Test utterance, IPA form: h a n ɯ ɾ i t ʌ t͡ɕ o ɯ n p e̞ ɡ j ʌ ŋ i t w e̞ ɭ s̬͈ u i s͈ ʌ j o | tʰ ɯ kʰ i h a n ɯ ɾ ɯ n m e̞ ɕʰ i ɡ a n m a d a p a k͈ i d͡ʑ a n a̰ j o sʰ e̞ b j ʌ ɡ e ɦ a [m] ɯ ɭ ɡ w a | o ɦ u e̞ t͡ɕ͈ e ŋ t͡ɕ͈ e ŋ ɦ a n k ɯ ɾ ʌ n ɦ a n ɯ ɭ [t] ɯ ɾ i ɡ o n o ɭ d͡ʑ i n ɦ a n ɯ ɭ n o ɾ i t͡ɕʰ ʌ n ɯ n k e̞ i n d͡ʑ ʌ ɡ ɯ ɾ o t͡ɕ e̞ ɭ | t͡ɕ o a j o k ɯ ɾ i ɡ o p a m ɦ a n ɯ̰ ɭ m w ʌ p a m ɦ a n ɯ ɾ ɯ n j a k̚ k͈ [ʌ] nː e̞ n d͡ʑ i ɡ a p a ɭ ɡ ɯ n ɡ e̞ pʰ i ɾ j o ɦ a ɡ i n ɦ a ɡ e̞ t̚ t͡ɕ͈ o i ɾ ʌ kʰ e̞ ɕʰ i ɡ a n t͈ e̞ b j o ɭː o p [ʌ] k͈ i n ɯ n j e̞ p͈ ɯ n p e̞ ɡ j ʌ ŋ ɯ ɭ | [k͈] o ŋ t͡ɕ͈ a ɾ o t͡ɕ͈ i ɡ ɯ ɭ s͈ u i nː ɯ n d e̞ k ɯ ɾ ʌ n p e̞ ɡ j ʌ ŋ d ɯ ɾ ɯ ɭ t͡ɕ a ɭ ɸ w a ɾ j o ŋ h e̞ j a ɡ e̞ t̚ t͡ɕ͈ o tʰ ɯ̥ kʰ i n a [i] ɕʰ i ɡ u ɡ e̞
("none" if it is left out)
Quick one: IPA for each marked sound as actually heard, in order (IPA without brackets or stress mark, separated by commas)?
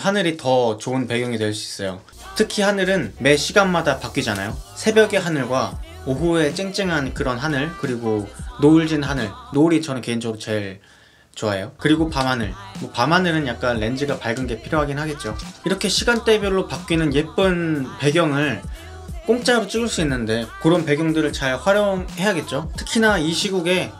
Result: n, k, a, a, k͈, i